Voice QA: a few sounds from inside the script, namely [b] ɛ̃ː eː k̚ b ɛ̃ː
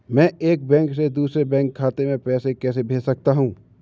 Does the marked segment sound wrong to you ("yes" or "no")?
yes